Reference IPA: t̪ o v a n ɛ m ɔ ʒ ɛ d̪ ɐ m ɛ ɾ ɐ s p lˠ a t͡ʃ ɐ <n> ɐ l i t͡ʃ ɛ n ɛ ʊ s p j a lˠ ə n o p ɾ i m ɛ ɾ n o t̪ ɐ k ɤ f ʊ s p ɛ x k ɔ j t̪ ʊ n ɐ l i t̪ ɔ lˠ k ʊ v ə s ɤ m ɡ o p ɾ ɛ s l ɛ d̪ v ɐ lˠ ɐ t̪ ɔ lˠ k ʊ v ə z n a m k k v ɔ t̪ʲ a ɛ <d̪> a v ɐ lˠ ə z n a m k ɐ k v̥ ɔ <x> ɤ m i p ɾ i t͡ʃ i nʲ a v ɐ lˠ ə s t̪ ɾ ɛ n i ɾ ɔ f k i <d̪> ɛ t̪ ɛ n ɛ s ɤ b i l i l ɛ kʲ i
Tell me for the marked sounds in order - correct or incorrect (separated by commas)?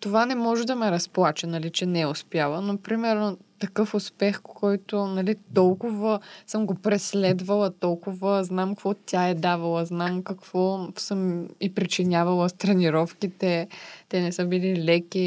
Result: correct, correct, incorrect, incorrect